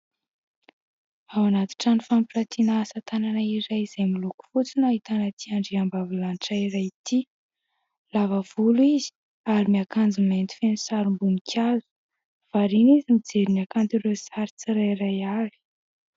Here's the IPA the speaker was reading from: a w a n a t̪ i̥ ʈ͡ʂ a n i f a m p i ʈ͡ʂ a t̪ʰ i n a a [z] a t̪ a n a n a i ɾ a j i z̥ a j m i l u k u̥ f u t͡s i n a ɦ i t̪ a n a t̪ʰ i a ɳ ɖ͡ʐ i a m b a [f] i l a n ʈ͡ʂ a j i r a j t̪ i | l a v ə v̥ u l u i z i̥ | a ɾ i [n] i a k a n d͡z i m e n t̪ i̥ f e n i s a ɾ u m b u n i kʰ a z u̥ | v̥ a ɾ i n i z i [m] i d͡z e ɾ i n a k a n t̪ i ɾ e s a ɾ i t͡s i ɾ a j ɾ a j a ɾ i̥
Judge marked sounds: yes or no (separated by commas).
no, no, no, yes